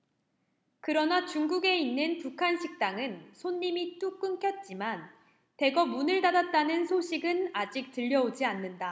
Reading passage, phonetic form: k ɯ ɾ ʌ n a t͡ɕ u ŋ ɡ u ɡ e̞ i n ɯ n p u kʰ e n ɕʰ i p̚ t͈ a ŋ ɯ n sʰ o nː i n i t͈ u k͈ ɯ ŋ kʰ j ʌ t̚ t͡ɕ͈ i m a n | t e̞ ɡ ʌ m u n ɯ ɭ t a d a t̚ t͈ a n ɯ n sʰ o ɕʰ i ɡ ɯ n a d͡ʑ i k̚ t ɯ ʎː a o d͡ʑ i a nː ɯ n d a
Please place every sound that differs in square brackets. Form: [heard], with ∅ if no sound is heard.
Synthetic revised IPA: k ɯ ɾ ʌ n a t͡ɕ u ŋ ɡ u ɡ e̞ i [nː] ɯ n p u kʰ [a] n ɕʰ i [k̚] t͈ a ŋ ɯ n sʰ o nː i [m] i t͈ u k͈ ɯ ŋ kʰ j ʌ t̚ t͡ɕ͈ i m a n | t e̞ ɡ ʌ m u n ɯ ɭ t a d a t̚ t͈ a n ɯ n sʰ o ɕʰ i ɡ ɯ n a d͡ʑ i k̚ t ɯ ʎː [ʌ] o d͡ʑ i a nː ɯ n d a